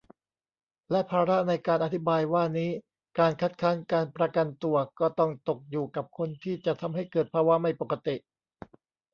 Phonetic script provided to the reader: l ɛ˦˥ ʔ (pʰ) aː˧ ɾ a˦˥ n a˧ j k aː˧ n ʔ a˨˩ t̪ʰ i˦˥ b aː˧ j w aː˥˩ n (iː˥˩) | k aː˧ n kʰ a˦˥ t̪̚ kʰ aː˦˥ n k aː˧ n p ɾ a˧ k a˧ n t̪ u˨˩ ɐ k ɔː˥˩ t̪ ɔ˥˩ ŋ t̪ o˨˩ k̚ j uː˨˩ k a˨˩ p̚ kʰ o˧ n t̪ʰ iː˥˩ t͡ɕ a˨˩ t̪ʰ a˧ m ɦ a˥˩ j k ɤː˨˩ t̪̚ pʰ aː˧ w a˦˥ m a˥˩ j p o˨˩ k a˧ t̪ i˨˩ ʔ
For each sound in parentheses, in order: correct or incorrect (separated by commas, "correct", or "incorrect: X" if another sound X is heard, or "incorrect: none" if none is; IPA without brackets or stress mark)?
correct, incorrect: iː˦˥